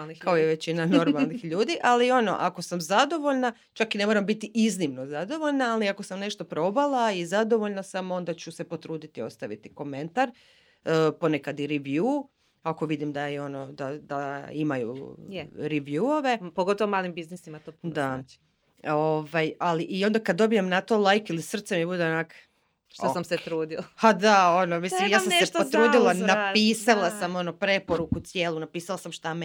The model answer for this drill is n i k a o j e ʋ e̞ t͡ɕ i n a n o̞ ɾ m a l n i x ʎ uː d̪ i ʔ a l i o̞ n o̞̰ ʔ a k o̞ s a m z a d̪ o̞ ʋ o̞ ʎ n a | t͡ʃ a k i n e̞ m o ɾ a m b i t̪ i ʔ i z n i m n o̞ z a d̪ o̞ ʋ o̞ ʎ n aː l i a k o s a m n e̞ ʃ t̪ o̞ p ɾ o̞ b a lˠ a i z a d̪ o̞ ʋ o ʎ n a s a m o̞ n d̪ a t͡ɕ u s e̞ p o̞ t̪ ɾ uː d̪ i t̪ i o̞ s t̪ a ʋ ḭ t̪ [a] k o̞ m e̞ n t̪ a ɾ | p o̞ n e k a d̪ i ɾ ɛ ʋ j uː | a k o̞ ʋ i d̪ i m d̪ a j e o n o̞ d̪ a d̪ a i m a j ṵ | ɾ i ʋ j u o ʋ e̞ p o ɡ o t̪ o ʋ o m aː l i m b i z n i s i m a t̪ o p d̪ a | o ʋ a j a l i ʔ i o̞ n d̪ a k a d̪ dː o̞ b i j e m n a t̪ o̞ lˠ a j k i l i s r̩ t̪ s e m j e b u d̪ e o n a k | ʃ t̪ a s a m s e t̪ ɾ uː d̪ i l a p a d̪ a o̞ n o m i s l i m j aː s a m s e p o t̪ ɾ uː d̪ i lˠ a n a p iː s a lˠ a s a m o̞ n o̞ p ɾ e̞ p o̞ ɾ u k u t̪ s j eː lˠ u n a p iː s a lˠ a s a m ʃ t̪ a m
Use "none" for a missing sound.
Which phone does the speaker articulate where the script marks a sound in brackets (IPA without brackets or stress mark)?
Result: i